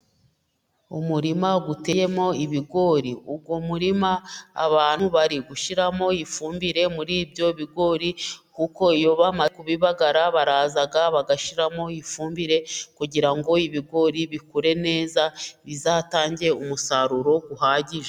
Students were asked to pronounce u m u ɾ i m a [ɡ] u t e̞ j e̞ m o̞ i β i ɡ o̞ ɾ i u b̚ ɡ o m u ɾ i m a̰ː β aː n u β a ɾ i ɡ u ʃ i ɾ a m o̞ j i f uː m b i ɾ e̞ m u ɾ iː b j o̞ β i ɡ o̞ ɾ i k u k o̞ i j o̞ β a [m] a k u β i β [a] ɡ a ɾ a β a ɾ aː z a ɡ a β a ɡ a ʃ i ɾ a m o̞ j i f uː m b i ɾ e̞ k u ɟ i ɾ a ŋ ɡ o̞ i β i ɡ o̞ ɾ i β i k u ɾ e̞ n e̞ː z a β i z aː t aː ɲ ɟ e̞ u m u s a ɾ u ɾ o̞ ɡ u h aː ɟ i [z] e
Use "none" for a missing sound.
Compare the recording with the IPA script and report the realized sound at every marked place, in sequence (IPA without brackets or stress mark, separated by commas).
ɡ, m, a, ʒ